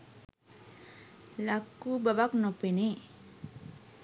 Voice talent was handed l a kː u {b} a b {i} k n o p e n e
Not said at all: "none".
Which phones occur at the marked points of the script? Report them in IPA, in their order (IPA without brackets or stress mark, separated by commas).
b, a